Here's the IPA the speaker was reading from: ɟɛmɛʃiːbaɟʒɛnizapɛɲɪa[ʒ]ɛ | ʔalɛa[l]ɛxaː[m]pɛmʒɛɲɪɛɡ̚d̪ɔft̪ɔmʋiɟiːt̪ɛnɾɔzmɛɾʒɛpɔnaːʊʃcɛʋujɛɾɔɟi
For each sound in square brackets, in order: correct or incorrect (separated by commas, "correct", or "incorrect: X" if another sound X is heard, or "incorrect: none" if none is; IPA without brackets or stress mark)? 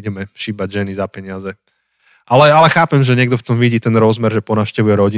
incorrect: z, correct, incorrect: none